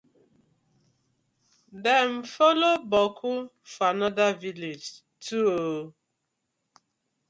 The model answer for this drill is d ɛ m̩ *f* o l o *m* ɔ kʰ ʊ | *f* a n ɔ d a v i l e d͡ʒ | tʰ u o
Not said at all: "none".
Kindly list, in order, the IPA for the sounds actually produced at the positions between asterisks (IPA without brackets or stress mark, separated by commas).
f, b, f